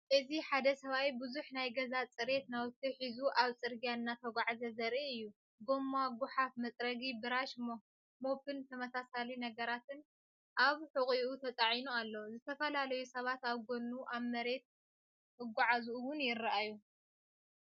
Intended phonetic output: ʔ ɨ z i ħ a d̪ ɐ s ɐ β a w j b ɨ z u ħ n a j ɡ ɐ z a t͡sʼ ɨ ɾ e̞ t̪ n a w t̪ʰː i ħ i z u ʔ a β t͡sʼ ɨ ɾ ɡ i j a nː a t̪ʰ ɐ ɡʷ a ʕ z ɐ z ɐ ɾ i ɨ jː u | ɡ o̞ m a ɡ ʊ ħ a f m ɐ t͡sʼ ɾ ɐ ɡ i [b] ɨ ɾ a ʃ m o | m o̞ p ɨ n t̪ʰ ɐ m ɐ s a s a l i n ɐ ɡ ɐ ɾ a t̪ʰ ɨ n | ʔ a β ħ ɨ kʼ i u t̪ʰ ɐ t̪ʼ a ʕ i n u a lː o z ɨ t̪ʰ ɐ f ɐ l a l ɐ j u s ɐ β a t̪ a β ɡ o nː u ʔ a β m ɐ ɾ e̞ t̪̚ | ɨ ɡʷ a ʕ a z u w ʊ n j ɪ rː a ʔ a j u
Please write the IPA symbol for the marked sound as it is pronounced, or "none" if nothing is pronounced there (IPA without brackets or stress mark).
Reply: b